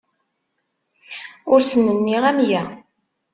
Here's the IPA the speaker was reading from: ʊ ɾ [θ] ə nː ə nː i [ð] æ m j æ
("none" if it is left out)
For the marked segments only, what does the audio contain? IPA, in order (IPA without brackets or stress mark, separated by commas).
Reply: s, ʁ